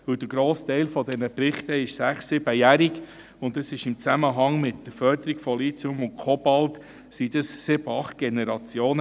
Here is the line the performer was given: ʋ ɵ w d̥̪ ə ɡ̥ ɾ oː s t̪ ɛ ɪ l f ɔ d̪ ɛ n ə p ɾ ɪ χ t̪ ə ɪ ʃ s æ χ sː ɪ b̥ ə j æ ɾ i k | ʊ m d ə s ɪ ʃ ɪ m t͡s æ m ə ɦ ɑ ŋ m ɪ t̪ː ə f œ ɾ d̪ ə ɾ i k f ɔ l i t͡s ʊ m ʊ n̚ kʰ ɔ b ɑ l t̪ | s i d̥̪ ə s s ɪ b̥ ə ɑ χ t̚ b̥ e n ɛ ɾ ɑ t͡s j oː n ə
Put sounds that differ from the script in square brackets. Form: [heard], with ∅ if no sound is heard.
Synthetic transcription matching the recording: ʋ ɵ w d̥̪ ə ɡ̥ ɾ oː s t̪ ɛ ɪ l f ɔ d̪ ɛ n ə p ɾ ɪ χ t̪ ə ɪ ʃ s æ χ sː ɪ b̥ ə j æ ɾ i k | ʊ [n] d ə s ɪ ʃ ɪ m t͡s æ m ə ɦ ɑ ŋ m ɪ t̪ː ə f œ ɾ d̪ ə ɾ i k f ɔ l i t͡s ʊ m ʊ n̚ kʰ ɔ b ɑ l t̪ | s i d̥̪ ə s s ɪ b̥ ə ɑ χ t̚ [ɡ̥] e n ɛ ɾ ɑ t͡s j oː n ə